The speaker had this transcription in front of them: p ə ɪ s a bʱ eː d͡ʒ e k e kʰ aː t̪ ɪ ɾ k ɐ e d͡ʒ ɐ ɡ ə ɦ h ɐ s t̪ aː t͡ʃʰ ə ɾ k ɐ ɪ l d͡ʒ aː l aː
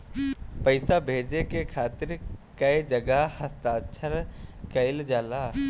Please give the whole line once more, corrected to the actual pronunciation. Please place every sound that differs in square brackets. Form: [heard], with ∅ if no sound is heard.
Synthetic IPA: p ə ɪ s a bʱ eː d͡ʒ e k e kʰ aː t̪ ɪ ɾ k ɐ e d͡ʒ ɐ ɡ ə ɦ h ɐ s t̪ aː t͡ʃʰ ə ɾ k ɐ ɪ l d͡ʒ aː l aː